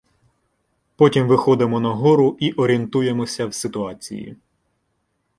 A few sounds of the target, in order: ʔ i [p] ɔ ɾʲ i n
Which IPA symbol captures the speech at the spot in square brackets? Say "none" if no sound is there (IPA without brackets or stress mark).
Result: ʔ